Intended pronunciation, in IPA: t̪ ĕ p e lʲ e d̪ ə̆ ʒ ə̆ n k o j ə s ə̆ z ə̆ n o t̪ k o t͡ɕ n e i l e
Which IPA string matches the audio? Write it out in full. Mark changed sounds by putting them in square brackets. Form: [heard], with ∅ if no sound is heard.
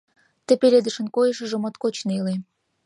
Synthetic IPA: t̪ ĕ p e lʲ e d̪ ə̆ [ʃ] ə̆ n k o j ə [ʃ] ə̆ [ʒ] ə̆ [m] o t̪ k o t͡ɕ n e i l e